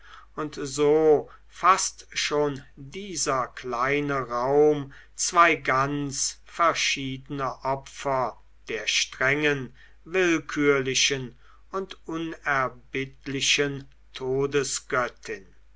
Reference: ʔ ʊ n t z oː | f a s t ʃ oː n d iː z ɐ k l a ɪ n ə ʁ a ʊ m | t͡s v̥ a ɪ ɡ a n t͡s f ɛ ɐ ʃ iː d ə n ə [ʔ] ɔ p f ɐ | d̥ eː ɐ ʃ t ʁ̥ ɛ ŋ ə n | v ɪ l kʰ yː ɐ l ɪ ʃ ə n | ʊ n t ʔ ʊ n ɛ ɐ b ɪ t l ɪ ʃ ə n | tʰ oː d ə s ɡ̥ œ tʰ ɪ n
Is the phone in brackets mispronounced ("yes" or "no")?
no